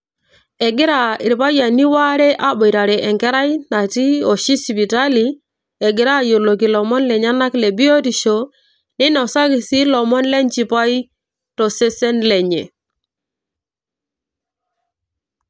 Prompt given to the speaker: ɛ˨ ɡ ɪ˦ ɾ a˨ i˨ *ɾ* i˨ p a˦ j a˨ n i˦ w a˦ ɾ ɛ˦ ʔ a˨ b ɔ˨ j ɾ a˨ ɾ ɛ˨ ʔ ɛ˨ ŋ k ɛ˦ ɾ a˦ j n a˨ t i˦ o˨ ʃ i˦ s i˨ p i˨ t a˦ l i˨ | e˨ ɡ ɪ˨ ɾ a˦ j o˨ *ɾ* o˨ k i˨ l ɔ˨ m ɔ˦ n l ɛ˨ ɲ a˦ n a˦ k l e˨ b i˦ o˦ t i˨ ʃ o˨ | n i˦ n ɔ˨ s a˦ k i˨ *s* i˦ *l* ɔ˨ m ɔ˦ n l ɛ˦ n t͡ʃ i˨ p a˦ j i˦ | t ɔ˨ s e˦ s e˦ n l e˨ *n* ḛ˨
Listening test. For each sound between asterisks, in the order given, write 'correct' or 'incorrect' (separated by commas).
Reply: correct, incorrect, correct, correct, incorrect